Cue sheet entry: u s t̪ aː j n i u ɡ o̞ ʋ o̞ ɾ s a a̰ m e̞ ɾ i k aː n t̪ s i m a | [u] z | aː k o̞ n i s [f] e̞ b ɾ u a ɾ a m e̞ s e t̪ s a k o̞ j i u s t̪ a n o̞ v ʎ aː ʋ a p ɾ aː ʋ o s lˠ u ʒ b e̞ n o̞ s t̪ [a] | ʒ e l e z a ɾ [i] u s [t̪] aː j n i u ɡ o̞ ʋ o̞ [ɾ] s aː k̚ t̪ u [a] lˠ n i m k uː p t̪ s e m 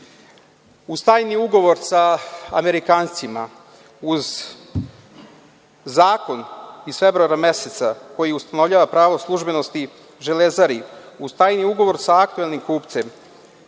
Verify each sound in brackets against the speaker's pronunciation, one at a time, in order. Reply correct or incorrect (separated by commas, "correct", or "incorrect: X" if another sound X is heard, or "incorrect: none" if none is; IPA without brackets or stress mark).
correct, correct, incorrect: i, correct, correct, correct, incorrect: e